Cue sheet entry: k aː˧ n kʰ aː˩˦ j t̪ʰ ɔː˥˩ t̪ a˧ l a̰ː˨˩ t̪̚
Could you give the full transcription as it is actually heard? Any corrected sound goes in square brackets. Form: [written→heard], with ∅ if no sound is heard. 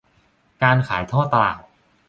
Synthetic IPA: k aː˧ n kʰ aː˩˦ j t̪ʰ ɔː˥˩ t̪ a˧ l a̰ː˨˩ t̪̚

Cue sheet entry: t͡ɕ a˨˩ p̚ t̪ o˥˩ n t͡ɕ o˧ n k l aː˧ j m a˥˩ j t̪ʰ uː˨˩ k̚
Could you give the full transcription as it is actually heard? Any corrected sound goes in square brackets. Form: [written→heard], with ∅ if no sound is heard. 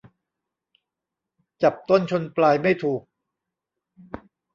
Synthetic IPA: t͡ɕ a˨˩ p̚ t̪ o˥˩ n [t͡ɕ→t͡ɕʰ] o˧ n [k→p] l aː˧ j m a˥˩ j t̪ʰ uː˨˩ k̚

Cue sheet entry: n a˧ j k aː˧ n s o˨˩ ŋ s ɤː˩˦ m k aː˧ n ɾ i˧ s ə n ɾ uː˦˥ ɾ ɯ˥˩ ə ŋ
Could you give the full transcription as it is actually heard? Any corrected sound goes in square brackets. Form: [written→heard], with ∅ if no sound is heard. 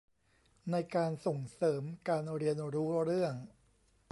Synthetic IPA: n a˧ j k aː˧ n s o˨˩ ŋ s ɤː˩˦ m k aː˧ n ɾ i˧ [s→∅] ə n ɾ uː˦˥ ɾ ɯ˥˩ ə ŋ

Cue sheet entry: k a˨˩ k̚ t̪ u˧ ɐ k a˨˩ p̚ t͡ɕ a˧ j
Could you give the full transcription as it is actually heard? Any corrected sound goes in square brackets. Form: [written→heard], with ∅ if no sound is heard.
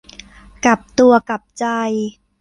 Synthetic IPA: k a˨˩ [k̚→p̚] t̪ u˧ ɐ k a˨˩ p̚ t͡ɕ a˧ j

